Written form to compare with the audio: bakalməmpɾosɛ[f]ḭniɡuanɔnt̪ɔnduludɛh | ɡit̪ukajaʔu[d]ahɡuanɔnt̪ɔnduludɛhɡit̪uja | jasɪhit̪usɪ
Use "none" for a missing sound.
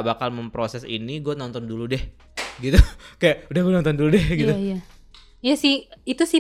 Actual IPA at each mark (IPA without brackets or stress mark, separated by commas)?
s, d